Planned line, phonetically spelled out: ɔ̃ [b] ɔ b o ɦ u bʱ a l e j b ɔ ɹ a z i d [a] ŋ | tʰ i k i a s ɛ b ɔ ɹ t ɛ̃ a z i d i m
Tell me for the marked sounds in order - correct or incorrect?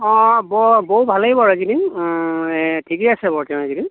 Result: correct, incorrect

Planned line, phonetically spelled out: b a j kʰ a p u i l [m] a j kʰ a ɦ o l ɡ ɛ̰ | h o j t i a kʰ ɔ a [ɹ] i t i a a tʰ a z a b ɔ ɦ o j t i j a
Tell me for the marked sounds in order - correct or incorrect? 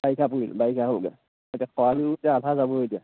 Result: incorrect, incorrect

